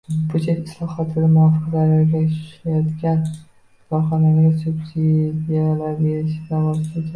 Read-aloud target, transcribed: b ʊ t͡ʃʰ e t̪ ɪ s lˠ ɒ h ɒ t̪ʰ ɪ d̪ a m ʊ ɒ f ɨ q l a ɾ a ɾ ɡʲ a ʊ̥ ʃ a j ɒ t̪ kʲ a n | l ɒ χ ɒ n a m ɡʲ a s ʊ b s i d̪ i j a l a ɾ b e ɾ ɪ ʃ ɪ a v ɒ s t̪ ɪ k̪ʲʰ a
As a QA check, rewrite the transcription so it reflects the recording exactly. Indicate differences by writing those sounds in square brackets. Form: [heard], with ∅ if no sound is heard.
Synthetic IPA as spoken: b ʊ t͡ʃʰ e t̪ ɪ s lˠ ɒ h ɒ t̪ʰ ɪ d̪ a m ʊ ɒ f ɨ q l a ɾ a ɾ ɡʲ a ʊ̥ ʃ a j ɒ t̪ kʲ a n | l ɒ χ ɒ n a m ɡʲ a s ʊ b s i d̪ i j a l a ɾ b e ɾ ɪ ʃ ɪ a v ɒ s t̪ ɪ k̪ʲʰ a